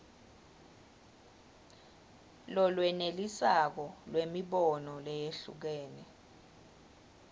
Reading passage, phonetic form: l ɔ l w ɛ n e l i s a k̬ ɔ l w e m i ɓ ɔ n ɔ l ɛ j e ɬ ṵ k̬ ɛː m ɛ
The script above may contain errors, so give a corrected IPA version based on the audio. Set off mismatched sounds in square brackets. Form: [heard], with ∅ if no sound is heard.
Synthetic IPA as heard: l ɔ l w ɛ n e l i s a k̬ ɔ l w e m i ɓ ɔ n ɔ l ɛ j e ɬ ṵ k̬ ɛː [n] ɛ